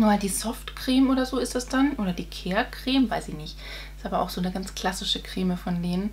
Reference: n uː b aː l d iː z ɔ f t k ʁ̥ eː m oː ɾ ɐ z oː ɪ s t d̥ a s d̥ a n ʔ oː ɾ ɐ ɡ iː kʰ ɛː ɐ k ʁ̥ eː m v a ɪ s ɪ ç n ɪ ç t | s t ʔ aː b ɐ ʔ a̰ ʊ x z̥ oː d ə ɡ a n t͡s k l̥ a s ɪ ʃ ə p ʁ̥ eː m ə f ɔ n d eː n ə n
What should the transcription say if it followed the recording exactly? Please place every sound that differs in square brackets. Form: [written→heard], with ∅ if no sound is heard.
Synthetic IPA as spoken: n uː [b→m] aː l d iː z ɔ f t k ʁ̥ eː m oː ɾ ɐ z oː ɪ s t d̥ a s d̥ a n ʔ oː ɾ ɐ [ɡ→d] iː kʰ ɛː ɐ k ʁ̥ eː m v a ɪ s ɪ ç n ɪ ç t | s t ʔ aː b ɐ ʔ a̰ ʊ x z̥ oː [d→n] ə ɡ a n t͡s k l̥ a s ɪ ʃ ə [p→k] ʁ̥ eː m ə f ɔ n d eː n ə n

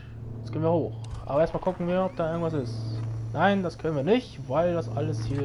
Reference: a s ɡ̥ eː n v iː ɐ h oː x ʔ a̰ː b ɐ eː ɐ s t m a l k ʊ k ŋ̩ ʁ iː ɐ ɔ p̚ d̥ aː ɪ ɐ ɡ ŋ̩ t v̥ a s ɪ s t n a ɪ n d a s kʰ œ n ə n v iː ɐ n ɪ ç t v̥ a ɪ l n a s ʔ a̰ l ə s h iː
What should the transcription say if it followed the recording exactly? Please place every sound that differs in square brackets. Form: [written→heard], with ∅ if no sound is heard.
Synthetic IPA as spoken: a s ɡ̥ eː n v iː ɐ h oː x ʔ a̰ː b ɐ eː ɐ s t m a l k ʊ k ŋ̩ [ʁ→v] iː ɐ ɔ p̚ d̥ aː ɪ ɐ ɡ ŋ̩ t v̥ a s ɪ s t n a ɪ n d a s kʰ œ n ə n v iː ɐ n ɪ ç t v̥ a ɪ l [n→d] a s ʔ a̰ l ə s h iː

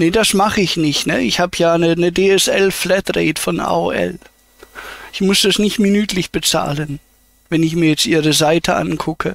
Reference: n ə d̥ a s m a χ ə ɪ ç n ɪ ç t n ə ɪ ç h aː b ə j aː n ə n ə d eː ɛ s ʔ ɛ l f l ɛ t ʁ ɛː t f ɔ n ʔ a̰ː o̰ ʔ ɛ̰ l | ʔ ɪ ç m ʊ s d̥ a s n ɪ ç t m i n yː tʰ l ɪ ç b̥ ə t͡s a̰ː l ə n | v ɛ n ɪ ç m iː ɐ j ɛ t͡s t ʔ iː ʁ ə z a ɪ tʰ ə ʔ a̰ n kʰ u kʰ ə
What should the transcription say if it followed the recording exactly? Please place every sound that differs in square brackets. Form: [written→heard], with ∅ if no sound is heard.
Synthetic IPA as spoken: n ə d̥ a s m a χ ə ɪ ç n ɪ ç t n ə ɪ ç h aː b ə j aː n ə n ə d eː ɛ s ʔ ɛ l f l ɛ t ʁ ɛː t f ɔ n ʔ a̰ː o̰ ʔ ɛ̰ l | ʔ ɪ ç m ʊ s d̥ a s n ɪ ç t m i n yː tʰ l ɪ ç b̥ ə t͡s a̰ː l ə n | v ɛ n ɪ ç m iː ɐ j ɛ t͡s t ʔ iː ʁ ə z a ɪ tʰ ə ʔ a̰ n kʰ [u→ʊ] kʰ ə

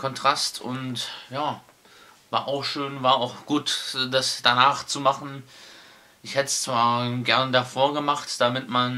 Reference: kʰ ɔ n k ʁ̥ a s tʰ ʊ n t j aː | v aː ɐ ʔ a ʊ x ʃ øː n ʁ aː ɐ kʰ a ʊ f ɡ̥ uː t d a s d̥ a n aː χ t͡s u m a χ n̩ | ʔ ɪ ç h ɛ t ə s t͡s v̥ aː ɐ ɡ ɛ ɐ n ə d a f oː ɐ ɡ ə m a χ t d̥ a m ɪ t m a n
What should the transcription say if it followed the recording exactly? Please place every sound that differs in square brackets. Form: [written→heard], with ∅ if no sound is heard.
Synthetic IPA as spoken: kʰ ɔ n [k→t] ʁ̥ a s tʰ ʊ n t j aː | v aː ɐ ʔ a ʊ x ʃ øː n [ʁ→v] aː ɐ [kʰ→∅] a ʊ [f→x] ɡ̥ uː t d a s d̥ a n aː χ t͡s u m a χ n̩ | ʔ ɪ ç h ɛ t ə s t͡s v̥ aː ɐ ɡ ɛ ɐ n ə d a f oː ɐ ɡ ə m a χ t d̥ a m ɪ t m a n

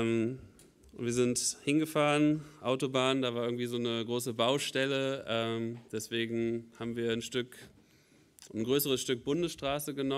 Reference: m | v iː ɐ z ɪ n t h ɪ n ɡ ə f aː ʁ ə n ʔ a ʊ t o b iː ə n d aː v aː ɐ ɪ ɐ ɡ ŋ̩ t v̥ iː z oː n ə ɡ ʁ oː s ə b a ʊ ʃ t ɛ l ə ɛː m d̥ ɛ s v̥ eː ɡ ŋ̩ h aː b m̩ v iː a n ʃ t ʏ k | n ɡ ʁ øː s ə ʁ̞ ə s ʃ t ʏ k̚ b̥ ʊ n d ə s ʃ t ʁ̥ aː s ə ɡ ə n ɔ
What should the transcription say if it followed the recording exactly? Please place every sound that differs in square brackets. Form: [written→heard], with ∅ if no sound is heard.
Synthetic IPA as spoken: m | v iː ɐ z ɪ n t h ɪ n ɡ ə f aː ʁ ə n ʔ a ʊ t o b [iː→aː] ə n d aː v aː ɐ ɪ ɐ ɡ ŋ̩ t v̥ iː z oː n ə ɡ ʁ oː s ə b a ʊ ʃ t ɛ l ə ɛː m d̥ ɛ s v̥ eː ɡ ŋ̩ h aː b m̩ v iː [a→ɐ] n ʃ t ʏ k | n ɡ ʁ øː s ə ʁ̞ ə s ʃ t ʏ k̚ b̥ ʊ n d ə s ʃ t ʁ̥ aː s ə ɡ ə n ɔ

